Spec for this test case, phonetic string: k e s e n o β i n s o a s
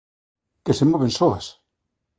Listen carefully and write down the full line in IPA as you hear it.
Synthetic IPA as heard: k e s e m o β e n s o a s